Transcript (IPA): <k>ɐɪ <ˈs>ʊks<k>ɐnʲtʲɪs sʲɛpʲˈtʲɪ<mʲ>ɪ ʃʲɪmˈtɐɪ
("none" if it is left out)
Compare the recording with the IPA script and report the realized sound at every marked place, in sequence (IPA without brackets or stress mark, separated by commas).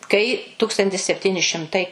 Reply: k, t, t, nʲ